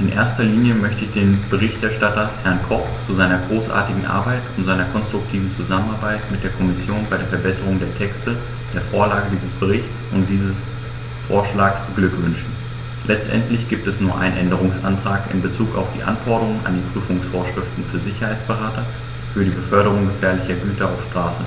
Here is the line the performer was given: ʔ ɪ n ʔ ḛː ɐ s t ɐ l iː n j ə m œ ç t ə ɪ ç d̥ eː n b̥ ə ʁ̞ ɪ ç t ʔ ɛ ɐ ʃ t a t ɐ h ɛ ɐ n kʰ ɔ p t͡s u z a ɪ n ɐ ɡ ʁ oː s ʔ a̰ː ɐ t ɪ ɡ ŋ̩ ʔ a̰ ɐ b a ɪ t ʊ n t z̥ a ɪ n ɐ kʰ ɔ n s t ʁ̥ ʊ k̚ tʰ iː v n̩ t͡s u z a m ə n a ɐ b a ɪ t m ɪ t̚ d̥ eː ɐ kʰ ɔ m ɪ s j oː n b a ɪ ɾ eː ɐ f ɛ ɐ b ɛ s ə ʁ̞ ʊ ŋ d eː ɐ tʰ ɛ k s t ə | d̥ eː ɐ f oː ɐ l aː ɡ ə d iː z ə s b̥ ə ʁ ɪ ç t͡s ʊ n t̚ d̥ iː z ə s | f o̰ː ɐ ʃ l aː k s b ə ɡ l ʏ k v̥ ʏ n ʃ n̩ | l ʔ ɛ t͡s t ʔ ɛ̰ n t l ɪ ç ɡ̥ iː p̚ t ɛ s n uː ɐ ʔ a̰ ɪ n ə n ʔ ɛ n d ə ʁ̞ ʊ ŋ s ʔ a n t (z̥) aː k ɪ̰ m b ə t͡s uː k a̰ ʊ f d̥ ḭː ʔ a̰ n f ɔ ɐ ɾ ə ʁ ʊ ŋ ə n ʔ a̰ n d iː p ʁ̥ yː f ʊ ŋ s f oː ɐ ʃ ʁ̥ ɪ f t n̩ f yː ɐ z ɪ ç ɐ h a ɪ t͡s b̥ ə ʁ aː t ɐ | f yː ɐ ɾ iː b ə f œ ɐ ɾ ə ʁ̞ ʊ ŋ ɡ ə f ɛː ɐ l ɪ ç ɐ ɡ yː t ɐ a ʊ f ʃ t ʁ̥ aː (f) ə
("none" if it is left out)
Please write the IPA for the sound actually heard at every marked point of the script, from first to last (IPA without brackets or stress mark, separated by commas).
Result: ʁ̥, s